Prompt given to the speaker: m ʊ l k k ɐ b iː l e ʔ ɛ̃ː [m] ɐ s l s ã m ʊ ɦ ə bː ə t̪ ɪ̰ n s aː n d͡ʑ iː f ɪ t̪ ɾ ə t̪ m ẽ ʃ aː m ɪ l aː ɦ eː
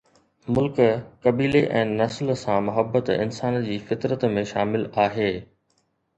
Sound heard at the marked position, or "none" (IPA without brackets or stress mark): n